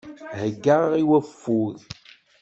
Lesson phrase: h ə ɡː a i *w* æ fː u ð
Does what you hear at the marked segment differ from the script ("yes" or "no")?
no